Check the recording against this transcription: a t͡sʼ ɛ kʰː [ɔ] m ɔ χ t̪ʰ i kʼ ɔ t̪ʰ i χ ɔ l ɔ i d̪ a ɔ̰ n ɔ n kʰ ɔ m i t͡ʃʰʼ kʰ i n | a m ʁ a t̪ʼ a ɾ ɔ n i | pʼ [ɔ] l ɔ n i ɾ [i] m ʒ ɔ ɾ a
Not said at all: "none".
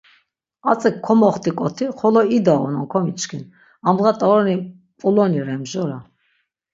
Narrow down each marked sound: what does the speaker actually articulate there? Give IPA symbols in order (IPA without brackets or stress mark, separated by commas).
ɔ, u, ɛ